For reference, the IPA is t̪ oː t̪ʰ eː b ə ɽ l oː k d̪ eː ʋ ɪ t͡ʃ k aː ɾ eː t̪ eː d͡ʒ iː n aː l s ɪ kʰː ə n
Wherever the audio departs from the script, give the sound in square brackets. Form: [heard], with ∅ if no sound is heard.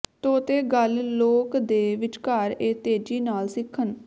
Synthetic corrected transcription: t̪ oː [t̪] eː [ɡ] ə [l] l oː k d̪ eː ʋ ɪ t͡ʃ k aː ɾ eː t̪ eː d͡ʒ iː n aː l s ɪ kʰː ə n

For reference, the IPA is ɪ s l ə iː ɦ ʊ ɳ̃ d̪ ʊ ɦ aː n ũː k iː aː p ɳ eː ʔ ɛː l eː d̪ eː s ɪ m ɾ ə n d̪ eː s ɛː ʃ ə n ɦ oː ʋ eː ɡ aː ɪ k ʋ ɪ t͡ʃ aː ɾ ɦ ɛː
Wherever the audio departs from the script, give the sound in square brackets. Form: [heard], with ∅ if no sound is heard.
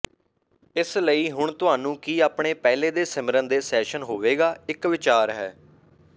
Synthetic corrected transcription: ɪ s l ə iː ɦ ʊ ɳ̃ [t̪] ʊ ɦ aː n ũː k iː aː p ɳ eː [p] ɛː l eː d̪ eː s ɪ m ɾ ə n d̪ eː s ɛː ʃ ə n ɦ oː ʋ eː ɡ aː ɪ k ʋ ɪ t͡ʃ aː ɾ ɦ ɛː

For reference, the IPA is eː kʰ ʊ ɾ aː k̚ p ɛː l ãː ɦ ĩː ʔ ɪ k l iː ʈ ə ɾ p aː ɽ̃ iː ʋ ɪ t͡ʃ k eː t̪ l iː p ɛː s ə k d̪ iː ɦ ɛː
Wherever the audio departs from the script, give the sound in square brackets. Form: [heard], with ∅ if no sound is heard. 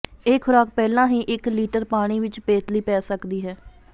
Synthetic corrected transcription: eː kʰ ʊ ɾ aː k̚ p ɛː l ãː ɦ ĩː ʔ ɪ k l iː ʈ ə ɾ p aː ɽ̃ iː ʋ ɪ t͡ʃ [p] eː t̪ l iː p ɛː s ə k d̪ iː ɦ ɛː

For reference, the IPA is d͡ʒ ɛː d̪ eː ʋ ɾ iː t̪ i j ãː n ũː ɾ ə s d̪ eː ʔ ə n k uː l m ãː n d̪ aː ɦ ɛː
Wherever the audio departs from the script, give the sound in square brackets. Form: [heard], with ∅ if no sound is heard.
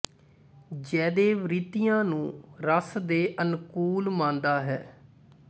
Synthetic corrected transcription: d͡ʒ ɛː d̪ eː ʋ ɾ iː t̪ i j ãː n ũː ɾ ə s d̪ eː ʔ ə n k uː l m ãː n d̪ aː ɦ ɛː

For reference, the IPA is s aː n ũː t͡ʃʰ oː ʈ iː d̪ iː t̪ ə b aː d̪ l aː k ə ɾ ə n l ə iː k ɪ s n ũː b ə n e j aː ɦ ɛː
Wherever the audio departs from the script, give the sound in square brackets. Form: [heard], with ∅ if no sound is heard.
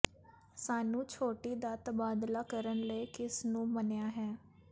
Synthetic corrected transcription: s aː n ũː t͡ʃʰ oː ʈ iː d̪ [aː] t̪ ə b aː d̪ l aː k ə ɾ ə n l ə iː k ɪ s n ũː [m] ə n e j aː ɦ ɛː

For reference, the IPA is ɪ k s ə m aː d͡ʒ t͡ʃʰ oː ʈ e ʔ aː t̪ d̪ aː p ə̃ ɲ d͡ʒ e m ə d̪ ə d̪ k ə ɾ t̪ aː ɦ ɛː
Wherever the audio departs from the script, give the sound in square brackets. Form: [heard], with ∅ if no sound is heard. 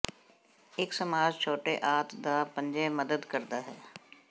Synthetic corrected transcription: ɪ k s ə m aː d͡ʒ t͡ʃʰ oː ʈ e ʔ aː t̪ d̪ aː p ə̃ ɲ d͡ʒ e m ə d̪ ə d̪ k ə ɾ [d̪] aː ɦ ɛː

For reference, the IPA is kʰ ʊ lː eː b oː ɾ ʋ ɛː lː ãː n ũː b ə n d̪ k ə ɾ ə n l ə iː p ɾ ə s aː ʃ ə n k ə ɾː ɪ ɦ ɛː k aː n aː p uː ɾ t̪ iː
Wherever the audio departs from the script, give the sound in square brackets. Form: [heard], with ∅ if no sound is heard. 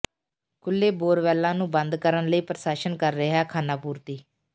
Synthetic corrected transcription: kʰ ʊ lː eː b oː ɾ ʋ ɛː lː ãː n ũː b ə n d̪ k ə ɾ ə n l ə iː p ɾ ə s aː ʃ ə n k ə ɾː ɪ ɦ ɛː [kʰ] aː n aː p uː ɾ t̪ iː

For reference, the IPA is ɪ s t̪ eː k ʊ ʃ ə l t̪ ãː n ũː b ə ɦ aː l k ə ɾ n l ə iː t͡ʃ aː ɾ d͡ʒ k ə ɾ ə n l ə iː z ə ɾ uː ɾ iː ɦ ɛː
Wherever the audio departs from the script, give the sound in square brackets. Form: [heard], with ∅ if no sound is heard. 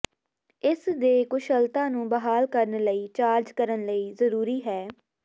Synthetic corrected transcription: ɪ s [d̪] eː k ʊ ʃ ə l t̪ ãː n ũː b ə ɦ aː l k ə ɾ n l ə iː t͡ʃ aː ɾ d͡ʒ k ə ɾ ə n l ə iː z ə ɾ uː ɾ iː ɦ ɛː

